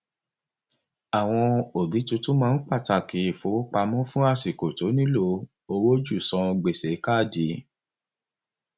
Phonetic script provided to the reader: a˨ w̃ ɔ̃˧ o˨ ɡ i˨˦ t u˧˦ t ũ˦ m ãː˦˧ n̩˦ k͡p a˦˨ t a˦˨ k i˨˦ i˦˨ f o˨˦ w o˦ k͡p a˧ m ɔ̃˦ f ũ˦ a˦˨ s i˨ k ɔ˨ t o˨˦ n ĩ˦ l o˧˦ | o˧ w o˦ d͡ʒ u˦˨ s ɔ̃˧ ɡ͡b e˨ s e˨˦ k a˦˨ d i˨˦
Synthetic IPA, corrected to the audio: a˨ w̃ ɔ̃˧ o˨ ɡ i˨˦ t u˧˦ t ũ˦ m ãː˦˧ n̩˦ k͡p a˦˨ t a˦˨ k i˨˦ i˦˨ f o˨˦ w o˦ k͡p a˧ m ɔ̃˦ f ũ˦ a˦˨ s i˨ k o˨ t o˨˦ n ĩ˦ l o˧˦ | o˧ w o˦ d͡ʒ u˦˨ s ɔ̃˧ ɡ͡b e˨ s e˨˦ k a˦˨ d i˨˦